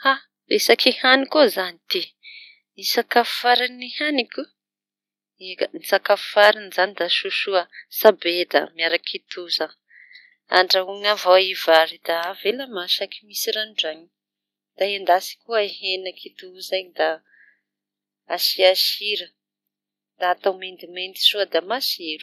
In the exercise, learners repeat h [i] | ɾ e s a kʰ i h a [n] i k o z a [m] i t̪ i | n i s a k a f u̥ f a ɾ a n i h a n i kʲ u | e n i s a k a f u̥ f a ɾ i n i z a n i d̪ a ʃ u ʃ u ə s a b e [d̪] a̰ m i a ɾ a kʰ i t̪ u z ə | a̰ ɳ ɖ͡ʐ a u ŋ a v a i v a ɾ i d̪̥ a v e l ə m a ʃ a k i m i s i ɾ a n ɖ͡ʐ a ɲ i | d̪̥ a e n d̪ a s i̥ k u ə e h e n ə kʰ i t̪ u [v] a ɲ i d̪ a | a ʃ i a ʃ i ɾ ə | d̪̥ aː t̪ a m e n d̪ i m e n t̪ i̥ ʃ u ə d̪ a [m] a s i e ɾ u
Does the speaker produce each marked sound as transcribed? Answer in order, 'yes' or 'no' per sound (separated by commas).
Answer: no, yes, no, yes, no, yes